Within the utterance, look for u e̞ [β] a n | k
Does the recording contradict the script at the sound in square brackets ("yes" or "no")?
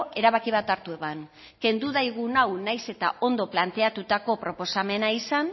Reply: no